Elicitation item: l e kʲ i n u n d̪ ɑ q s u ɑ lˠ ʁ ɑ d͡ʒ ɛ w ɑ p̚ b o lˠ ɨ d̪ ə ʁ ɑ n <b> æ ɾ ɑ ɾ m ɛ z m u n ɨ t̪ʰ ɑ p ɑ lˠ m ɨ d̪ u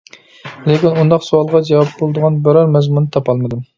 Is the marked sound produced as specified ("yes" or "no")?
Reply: yes